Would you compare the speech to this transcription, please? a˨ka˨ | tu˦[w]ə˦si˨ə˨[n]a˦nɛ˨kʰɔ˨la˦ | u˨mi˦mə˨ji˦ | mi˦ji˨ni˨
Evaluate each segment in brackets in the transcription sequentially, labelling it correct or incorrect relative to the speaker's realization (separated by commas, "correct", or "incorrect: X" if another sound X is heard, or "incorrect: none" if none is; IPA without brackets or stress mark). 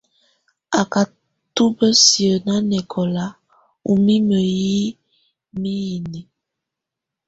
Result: incorrect: b, correct